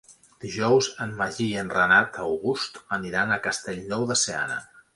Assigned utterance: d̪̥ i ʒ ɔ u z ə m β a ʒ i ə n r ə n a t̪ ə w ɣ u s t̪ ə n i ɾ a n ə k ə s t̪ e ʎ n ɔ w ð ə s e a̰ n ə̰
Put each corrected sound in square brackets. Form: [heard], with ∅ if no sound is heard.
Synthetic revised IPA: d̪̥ i ʒ ɔ [w] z ə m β a ʒ i ə n r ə n a t̪ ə w ɣ u s t̪ ə n i ɾ a n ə k ə s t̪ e ʎ n ɔ w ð ə s e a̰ n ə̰